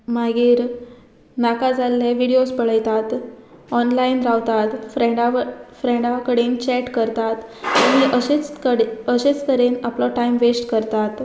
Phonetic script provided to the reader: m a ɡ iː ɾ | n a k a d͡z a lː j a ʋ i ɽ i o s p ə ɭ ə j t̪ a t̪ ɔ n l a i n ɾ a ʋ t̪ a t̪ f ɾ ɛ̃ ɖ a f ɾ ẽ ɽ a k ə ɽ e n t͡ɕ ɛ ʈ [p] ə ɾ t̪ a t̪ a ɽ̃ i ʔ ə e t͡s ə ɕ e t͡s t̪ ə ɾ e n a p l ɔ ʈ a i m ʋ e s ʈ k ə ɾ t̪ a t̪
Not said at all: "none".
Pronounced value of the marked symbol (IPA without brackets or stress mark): k